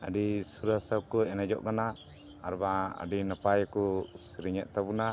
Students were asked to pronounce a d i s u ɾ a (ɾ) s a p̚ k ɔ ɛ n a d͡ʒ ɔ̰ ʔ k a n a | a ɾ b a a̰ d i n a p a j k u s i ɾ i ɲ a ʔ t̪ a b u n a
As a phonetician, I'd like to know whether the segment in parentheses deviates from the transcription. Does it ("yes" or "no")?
yes